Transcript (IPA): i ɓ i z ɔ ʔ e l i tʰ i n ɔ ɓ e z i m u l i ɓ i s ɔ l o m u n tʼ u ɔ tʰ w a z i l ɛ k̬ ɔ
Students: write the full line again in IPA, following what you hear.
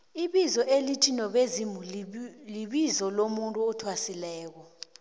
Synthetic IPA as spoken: i ɓ i z ɔ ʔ e l i tʰ i n ɔ ɓ e z i m u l i ɓ i z ɔ l o m u n tʼ u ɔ tʰ w a s i l ɛː k̬ ɔ